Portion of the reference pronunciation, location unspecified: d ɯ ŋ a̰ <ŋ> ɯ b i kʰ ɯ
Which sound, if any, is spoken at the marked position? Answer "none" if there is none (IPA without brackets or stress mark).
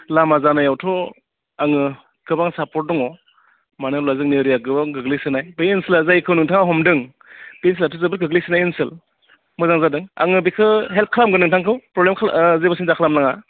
ŋ